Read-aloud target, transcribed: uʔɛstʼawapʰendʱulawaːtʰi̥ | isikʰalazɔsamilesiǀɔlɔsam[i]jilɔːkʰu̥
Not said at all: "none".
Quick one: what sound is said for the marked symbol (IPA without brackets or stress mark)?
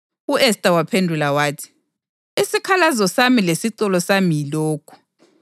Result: i